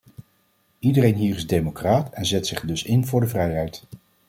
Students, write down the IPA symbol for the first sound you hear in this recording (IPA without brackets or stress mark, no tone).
i